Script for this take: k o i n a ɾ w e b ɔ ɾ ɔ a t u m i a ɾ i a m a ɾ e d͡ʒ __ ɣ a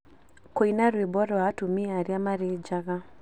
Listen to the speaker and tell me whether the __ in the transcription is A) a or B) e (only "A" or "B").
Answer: A